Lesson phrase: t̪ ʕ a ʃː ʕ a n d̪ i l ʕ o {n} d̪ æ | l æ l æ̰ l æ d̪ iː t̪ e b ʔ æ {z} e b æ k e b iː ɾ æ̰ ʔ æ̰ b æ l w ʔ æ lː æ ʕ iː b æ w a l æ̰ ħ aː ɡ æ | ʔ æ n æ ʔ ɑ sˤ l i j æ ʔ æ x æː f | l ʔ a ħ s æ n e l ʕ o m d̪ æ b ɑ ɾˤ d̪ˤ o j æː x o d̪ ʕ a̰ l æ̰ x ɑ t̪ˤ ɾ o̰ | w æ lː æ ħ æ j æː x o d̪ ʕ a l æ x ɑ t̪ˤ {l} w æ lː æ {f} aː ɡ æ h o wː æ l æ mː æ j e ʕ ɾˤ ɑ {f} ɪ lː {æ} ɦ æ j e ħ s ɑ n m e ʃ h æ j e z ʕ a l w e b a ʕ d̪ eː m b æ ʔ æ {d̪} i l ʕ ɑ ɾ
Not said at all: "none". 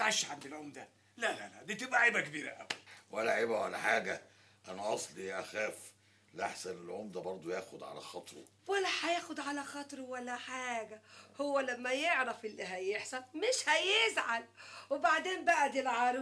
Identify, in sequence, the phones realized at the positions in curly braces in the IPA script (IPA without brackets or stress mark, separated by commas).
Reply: m, ʕ, ɾ, ħ, f, i, d̪